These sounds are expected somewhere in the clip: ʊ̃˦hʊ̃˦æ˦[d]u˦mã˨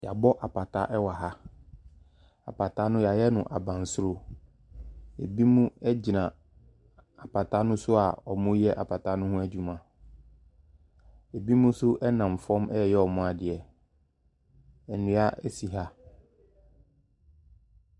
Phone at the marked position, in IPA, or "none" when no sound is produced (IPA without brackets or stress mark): d͡ʑ